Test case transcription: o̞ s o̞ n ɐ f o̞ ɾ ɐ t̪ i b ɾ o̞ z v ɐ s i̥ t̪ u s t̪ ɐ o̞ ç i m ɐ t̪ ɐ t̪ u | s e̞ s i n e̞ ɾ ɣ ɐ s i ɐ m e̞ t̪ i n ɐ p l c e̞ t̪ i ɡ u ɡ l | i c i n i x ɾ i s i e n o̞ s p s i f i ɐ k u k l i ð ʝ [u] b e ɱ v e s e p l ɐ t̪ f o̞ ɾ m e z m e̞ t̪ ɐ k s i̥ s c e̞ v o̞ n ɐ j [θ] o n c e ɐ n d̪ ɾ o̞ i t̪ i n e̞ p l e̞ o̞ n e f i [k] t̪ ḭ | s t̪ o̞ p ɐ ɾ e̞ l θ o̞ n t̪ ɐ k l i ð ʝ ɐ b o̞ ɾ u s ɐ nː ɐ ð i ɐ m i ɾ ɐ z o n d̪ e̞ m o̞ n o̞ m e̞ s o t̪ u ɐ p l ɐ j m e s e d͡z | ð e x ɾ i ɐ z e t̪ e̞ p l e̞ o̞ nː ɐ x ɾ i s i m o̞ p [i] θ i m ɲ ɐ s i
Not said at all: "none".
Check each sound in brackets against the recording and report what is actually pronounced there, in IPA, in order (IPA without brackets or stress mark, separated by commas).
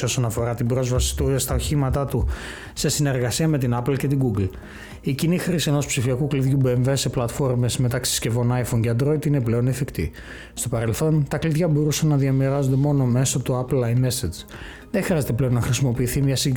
u, f, k, iː